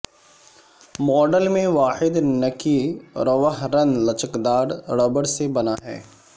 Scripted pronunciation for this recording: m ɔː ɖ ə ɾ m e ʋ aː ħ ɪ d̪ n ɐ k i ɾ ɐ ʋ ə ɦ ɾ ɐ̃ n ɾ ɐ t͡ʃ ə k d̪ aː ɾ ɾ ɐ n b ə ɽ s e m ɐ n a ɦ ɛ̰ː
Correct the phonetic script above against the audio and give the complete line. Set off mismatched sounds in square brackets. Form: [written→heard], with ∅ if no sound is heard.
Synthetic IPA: m ɔː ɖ ə [ɾ→l] m [e→ẽ] ʋ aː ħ ɪ d̪ n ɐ k i ɾ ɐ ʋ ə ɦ ɾ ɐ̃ n [ɾ→l] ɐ t͡ʃ ə k d̪ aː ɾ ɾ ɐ [n→∅] b ə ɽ s e [m→b] ɐ n a ɦ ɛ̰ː